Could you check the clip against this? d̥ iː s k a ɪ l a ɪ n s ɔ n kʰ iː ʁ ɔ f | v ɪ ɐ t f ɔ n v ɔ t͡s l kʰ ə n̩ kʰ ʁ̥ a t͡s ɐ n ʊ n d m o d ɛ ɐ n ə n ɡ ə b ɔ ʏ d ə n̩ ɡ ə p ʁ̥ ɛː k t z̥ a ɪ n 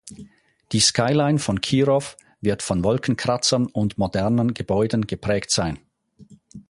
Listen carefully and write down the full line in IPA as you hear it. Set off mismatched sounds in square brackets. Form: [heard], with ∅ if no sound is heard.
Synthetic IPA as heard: d̥ iː s k a ɪ l a ɪ n [f] ɔ n kʰ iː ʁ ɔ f | v ɪ ɐ t f ɔ n v ɔ [∅] l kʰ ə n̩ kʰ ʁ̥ a t͡s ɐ n ʊ n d m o d ɛ ɐ n ə n ɡ ə b ɔ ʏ d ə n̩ ɡ ə p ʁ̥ ɛː k t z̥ a ɪ n